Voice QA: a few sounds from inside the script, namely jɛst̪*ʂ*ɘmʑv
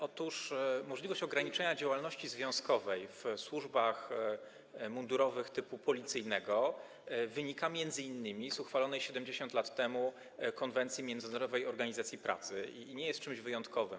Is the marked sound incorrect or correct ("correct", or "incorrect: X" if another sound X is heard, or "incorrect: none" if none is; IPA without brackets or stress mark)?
incorrect: t͡ʂ